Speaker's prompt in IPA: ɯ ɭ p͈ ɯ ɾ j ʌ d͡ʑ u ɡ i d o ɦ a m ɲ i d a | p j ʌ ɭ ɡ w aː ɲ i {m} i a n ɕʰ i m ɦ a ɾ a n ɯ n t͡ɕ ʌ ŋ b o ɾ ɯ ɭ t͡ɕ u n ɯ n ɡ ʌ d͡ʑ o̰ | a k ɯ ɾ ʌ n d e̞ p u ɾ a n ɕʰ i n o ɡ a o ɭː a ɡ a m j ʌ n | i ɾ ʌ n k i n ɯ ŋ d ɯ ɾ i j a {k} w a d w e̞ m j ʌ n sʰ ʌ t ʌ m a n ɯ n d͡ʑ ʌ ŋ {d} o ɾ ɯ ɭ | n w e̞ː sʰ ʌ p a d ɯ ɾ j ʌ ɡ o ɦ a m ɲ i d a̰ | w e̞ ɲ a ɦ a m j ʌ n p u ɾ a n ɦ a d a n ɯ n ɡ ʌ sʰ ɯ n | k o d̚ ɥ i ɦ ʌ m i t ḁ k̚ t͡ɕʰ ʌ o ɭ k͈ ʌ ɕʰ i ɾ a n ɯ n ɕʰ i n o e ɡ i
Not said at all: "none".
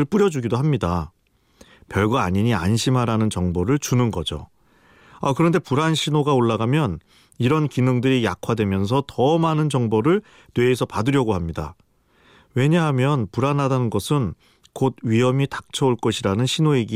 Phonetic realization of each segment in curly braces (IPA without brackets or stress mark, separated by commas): ɲ, kʰ, b